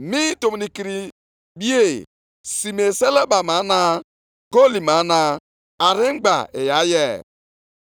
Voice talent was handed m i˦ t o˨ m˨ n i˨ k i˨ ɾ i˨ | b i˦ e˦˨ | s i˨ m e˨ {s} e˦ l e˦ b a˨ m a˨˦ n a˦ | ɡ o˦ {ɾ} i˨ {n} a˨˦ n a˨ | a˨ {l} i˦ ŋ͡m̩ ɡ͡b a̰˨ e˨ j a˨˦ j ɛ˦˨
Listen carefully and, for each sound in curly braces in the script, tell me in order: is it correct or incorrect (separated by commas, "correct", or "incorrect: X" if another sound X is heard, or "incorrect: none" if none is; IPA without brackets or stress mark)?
correct, incorrect: l, incorrect: m, incorrect: ɾ